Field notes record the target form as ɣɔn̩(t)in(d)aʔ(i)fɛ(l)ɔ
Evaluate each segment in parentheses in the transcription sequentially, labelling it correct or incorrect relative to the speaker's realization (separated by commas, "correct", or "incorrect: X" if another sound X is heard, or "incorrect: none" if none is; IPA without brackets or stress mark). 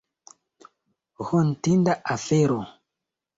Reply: correct, correct, incorrect: a, incorrect: ɾ